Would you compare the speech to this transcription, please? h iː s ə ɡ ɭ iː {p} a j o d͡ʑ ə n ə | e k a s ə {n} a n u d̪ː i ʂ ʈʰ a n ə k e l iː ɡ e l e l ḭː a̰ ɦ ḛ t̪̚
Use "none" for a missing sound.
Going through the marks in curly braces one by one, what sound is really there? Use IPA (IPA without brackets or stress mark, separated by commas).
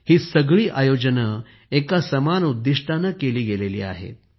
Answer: ʔ, m